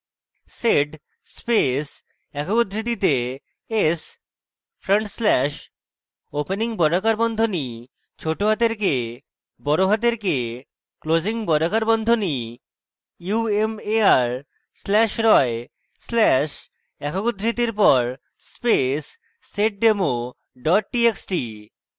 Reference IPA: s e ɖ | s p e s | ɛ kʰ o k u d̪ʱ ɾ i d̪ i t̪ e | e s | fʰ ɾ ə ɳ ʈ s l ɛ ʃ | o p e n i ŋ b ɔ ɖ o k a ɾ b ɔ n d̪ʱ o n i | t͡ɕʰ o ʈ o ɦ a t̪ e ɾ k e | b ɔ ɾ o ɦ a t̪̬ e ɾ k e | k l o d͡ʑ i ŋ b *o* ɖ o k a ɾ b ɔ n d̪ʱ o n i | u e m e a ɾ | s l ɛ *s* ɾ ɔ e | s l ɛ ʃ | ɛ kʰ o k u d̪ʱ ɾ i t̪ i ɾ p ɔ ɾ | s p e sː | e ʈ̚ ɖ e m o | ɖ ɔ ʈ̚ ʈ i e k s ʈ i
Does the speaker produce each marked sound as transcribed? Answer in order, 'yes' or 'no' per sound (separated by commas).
no, no